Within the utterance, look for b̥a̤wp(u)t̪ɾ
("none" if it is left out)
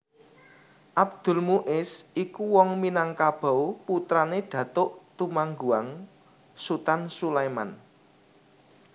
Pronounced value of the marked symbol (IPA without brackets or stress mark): u